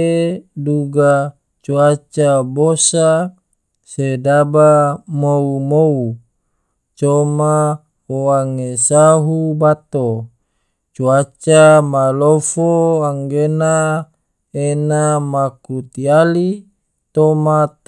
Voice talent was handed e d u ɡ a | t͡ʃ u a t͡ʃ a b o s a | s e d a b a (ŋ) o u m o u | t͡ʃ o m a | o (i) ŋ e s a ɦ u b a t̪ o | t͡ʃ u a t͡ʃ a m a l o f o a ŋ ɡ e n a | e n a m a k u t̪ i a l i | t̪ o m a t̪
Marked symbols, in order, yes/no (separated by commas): no, no